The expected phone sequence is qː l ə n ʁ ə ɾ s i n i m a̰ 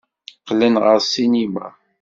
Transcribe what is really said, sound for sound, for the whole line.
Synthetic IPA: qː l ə n ʁ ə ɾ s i n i m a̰